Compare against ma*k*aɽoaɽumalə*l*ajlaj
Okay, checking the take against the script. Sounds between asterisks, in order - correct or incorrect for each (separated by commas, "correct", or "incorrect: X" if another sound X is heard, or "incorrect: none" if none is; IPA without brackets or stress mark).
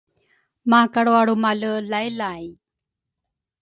correct, correct